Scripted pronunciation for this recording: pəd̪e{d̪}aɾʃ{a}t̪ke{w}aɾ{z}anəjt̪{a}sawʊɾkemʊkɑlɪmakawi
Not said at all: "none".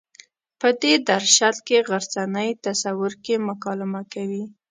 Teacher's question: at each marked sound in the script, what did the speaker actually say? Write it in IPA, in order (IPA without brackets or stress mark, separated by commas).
d̪, a, ɣ, z, a